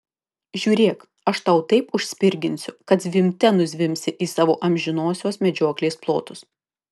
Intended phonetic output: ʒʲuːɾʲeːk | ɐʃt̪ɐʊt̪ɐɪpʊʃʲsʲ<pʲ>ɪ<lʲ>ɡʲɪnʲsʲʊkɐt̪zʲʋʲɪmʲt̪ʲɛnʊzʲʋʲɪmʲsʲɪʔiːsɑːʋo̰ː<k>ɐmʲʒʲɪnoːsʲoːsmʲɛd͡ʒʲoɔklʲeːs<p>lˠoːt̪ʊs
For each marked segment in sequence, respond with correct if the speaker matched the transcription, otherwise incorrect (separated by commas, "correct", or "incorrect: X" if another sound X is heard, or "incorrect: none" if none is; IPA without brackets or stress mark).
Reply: correct, incorrect: ɾʲ, incorrect: ʔ, correct